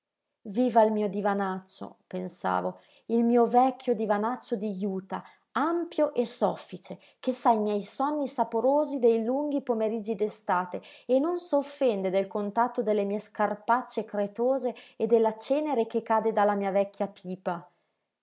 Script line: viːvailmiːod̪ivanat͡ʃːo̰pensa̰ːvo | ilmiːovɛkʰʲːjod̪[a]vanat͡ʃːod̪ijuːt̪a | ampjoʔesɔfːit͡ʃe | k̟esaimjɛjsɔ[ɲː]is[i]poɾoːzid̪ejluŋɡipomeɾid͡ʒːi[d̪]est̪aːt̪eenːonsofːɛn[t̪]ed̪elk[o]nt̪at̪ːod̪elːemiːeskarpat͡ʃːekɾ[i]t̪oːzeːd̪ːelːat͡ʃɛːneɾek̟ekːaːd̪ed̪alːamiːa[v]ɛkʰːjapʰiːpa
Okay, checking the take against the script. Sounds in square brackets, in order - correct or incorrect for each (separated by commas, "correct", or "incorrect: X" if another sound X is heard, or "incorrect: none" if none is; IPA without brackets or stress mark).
incorrect: i, incorrect: nː, incorrect: a, correct, incorrect: d̪, correct, incorrect: e, correct